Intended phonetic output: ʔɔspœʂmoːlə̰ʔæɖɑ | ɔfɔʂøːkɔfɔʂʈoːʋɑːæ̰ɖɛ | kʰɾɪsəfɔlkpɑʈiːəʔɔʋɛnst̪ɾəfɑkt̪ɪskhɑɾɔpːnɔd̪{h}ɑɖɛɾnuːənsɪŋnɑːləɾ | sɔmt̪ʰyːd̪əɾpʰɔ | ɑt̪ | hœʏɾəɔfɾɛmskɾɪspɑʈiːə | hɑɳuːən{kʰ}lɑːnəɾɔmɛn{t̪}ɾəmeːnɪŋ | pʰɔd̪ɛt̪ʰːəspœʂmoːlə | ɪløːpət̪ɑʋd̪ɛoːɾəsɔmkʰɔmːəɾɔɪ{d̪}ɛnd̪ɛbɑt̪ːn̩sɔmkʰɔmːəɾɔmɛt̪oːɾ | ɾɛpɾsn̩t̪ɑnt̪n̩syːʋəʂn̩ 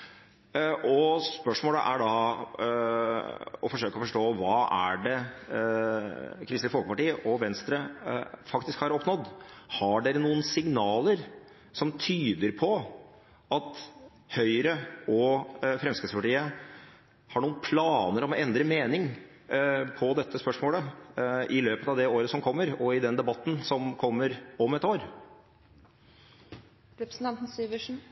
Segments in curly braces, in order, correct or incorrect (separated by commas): correct, incorrect, incorrect, correct